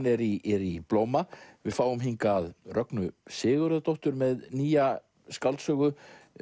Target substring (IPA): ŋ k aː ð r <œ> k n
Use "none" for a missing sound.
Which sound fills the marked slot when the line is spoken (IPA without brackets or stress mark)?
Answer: œ